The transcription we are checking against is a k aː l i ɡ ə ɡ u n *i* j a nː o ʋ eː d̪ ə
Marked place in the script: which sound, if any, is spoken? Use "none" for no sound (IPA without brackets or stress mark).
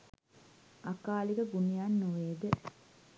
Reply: i